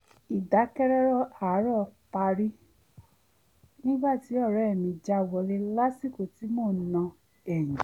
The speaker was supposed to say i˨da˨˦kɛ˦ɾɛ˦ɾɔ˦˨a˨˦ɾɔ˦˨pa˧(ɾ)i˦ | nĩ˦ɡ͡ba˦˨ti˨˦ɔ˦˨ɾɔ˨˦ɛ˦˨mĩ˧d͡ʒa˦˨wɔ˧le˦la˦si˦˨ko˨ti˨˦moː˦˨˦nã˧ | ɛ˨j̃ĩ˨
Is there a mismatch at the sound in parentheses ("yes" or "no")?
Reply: no